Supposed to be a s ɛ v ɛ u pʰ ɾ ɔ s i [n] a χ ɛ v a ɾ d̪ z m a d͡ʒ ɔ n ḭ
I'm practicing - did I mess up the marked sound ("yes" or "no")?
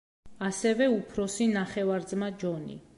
no